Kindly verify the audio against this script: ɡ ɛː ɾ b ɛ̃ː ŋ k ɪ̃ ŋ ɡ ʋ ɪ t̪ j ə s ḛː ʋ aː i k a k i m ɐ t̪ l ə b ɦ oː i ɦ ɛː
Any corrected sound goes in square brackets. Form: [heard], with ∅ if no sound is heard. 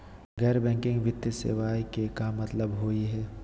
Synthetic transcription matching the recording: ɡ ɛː ɾ b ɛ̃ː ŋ k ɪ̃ ŋ ɡ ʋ ɪ t̪ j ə s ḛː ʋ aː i k [e] k [a] m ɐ t̪ l ə b ɦ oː i ɦ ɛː

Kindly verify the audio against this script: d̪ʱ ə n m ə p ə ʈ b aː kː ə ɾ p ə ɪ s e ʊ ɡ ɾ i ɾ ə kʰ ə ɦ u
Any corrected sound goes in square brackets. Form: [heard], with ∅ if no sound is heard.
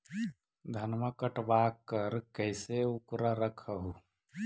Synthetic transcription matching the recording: d̪ʱ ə n m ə [k] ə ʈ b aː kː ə ɾ [k] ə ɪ s e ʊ [k] ɾ [a] ɾ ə kʰ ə ɦ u

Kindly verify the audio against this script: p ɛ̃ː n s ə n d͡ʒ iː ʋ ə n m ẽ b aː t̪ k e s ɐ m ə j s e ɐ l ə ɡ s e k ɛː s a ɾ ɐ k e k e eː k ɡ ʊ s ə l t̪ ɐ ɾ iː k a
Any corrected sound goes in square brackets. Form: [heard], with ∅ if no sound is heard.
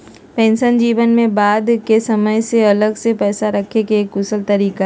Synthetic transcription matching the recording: p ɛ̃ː n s ə n d͡ʒ iː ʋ ə n m ẽ b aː [d̪] k e s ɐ m ə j s e ɐ l ə ɡ s e [p] ɛː s a ɾ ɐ [kʰ] e k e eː k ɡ ʊ s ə l t̪ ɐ ɾ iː k a

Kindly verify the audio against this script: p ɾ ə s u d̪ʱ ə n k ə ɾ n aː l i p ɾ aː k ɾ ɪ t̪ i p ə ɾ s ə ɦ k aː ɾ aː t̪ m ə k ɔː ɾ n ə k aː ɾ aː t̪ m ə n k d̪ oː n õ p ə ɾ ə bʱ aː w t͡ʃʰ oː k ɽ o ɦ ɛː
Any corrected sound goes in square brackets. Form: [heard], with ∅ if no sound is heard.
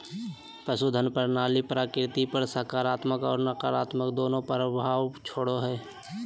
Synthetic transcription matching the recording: p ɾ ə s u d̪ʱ ə n [p] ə ɾ n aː l i p ɾ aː k ɾ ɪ t̪ i p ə ɾ s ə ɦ k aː ɾ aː t̪ m ə k ɔː ɾ n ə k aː ɾ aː t̪ m ə [∅] k d̪ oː n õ p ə ɾ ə bʱ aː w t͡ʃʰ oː [∅] ɽ o ɦ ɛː

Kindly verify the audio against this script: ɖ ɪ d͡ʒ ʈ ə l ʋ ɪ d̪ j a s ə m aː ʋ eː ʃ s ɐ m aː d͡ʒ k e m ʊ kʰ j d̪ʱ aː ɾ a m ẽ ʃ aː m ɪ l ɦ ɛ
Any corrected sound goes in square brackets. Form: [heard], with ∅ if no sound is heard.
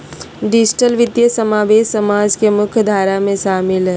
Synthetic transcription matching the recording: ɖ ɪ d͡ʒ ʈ ə l ʋ ɪ d̪ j [ə] s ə m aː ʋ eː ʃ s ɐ m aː d͡ʒ k e m ʊ kʰ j d̪ʱ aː ɾ a m ẽ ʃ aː m ɪ l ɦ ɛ

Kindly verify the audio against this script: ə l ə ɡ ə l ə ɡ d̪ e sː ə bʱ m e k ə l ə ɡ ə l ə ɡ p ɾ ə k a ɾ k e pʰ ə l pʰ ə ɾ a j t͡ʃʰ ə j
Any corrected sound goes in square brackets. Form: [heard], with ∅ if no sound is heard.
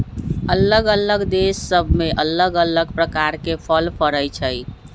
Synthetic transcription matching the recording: ə l ə ɡ ə l ə ɡ d̪ e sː ə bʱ m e [ʔ] ə l ə ɡ ə l ə ɡ p ɾ ə k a ɾ k e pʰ ə l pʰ ə ɾ [ə] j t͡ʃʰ ə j

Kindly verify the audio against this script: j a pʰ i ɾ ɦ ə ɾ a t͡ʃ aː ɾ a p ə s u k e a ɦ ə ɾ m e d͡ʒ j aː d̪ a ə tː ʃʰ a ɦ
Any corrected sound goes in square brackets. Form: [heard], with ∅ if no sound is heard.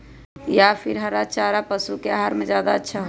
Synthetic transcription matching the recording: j a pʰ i ɾ ɦ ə ɾ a t͡ʃ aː ɾ a p ə s u k e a ɦ [a] ɾ m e d͡ʒ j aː d̪ a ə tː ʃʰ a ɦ

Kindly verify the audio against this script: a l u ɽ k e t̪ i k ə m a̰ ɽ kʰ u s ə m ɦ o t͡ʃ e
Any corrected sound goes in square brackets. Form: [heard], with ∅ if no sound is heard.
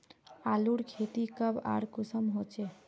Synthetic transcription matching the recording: a l u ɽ [kʰ] e t̪ i k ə [b] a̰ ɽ [k] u s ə m ɦ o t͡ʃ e

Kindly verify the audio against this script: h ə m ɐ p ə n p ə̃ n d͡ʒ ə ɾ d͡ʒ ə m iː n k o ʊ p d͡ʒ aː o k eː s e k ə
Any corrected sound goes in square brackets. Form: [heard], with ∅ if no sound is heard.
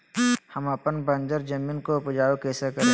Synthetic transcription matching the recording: h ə m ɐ p ə n [b] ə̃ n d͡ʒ ə ɾ d͡ʒ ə m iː n k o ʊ p d͡ʒ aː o k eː s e k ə

